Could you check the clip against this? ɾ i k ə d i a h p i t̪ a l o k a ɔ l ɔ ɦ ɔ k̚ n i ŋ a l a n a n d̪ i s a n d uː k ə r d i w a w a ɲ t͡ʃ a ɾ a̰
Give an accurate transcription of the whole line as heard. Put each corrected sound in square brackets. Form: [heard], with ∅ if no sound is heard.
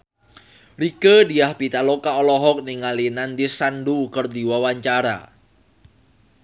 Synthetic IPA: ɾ i k ə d i a h p i t̪ a l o k a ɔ l ɔ ɦ ɔ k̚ n i ŋ a l [i] n a n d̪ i s a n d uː k ə r d i w a w a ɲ t͡ʃ a ɾ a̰